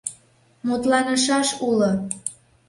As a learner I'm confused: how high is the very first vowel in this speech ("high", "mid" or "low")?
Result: high